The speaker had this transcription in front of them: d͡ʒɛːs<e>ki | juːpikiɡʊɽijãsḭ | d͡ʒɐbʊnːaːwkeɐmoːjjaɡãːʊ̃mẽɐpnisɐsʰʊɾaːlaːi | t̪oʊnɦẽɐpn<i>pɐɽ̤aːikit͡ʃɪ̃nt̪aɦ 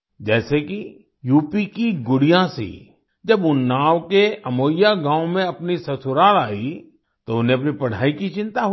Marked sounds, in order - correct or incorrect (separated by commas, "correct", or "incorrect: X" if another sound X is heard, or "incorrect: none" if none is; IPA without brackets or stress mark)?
correct, correct